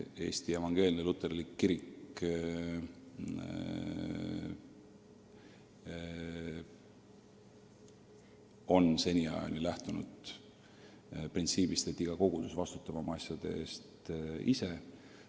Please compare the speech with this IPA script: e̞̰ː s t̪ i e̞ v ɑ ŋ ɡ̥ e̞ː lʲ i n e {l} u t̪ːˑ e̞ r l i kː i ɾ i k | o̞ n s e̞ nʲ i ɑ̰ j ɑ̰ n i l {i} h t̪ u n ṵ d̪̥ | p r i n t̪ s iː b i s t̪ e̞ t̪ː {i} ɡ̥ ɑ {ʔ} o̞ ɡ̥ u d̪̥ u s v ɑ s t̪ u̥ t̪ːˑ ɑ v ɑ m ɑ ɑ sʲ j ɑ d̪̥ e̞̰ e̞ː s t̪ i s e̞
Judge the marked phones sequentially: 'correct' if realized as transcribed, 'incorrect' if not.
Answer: correct, incorrect, correct, incorrect

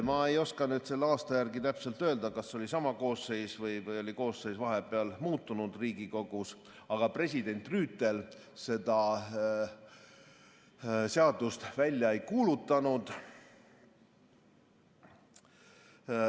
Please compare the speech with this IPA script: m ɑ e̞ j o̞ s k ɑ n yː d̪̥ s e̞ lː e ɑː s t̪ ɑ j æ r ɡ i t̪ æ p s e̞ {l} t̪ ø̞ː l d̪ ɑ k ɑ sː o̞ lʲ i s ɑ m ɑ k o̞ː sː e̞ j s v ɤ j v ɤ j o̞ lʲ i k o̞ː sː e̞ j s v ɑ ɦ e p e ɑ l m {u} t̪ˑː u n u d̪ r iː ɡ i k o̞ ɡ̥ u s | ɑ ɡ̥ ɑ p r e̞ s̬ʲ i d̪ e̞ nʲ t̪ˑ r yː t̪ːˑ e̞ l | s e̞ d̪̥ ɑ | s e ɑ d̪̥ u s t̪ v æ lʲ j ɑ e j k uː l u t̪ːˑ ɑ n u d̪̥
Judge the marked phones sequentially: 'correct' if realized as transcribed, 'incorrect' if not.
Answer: correct, incorrect

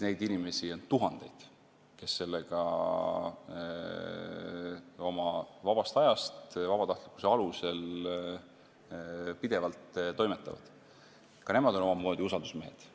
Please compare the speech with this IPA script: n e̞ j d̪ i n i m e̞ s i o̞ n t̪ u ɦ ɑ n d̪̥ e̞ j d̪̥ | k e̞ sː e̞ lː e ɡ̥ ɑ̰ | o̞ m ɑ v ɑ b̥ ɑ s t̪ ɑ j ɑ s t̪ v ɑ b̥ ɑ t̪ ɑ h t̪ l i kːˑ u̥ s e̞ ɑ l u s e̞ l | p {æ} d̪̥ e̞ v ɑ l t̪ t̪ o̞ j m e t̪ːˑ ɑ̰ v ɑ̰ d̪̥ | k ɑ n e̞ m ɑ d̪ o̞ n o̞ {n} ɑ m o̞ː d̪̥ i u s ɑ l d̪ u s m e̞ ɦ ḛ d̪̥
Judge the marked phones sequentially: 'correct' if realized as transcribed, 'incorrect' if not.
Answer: incorrect, incorrect

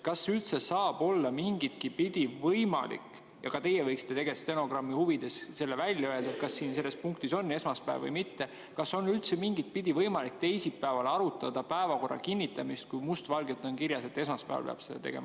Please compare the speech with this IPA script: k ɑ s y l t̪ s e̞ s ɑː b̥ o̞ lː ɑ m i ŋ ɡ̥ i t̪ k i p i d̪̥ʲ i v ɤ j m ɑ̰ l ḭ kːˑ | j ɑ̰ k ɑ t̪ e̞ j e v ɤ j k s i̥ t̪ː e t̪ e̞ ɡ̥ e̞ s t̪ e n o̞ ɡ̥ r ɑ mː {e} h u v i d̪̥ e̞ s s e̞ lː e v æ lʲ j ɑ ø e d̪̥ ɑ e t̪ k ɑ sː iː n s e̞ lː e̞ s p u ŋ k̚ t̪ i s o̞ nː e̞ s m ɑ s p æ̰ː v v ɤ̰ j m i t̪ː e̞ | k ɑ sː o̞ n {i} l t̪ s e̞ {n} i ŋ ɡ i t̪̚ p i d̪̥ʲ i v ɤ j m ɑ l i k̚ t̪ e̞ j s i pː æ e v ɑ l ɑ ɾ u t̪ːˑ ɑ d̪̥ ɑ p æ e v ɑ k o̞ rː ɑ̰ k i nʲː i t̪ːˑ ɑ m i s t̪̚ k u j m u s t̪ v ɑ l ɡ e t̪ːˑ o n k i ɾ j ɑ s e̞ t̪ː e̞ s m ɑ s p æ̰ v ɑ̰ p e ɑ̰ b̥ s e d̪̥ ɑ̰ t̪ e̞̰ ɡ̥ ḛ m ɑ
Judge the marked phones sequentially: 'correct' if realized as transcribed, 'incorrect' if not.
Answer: incorrect, incorrect, incorrect

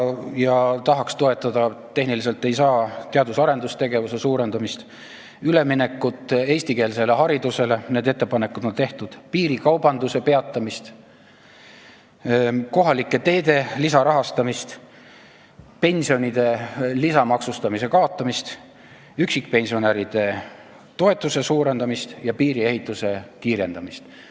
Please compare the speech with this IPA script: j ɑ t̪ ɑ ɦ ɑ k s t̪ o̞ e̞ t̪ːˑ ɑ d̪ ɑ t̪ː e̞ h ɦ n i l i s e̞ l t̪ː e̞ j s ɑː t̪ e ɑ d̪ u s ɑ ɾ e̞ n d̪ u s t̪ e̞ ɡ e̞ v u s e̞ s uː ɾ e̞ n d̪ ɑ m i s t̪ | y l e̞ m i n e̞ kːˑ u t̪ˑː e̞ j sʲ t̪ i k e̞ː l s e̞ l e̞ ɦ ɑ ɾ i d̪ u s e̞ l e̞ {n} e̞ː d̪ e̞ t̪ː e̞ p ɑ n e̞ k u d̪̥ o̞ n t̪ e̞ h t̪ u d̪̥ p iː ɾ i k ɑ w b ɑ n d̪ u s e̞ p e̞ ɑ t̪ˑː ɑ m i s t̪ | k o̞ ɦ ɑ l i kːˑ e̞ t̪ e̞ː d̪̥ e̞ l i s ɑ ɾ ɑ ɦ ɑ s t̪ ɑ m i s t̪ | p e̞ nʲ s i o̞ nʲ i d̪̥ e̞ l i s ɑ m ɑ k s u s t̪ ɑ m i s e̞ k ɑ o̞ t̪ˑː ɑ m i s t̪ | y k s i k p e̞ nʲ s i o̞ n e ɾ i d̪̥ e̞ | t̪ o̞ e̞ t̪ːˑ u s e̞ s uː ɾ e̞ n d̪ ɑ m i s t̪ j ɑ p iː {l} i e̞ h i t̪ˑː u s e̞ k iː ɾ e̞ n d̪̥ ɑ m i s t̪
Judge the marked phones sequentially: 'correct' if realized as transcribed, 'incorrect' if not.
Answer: correct, incorrect

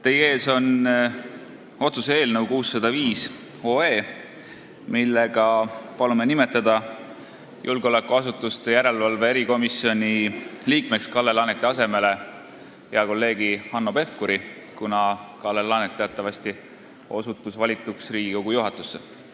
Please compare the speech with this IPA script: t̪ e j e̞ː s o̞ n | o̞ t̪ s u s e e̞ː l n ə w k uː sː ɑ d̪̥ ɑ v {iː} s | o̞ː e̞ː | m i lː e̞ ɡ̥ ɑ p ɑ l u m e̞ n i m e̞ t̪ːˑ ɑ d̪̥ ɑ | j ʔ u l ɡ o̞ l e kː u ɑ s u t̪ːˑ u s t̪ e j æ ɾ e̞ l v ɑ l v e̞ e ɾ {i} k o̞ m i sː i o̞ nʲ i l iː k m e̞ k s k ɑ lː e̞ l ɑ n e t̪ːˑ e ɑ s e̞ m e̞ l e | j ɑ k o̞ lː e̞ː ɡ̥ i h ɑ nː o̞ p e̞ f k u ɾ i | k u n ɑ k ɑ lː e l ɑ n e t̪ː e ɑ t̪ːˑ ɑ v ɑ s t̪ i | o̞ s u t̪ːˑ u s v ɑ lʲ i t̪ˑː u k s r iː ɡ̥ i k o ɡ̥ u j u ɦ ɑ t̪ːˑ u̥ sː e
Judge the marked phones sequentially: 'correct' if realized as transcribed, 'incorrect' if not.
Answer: correct, correct

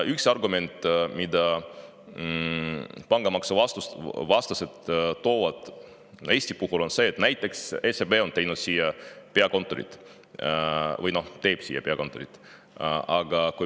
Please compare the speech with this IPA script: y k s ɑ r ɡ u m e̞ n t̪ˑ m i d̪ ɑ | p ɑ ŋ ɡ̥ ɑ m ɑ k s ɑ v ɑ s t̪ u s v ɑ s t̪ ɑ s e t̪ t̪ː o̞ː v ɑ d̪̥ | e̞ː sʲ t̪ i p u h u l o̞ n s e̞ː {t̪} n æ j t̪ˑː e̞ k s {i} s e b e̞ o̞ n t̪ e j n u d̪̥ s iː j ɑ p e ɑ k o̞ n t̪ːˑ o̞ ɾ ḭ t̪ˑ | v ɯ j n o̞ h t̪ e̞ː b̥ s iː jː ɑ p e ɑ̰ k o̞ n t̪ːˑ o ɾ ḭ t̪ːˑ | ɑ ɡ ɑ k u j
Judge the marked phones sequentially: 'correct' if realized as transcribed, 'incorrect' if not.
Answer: correct, incorrect

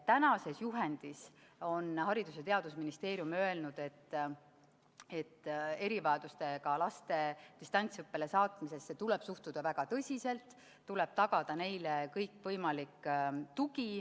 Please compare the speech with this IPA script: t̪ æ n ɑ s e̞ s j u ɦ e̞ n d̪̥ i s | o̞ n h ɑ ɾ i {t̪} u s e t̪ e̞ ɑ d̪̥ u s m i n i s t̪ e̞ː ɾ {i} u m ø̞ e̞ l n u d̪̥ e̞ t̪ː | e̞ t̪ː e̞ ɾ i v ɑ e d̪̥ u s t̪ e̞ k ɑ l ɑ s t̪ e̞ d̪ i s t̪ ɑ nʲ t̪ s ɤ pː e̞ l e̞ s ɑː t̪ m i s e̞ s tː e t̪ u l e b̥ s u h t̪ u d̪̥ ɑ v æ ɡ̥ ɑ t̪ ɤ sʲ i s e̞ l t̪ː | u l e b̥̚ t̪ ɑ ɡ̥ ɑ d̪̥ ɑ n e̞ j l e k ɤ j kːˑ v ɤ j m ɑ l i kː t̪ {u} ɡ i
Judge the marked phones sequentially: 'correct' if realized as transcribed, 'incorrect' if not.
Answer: incorrect, incorrect, correct

